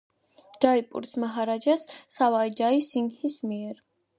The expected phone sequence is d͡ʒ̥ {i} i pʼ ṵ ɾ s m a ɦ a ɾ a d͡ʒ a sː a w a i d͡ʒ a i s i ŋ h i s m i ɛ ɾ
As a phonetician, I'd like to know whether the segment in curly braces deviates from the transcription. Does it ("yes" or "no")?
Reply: yes